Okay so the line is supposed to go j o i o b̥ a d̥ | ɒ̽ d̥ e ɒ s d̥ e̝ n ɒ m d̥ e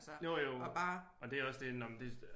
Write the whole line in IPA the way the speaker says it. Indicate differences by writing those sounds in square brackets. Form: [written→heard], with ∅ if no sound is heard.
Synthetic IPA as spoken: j o [i→j] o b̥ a [d̥→∅] | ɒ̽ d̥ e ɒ s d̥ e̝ n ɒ m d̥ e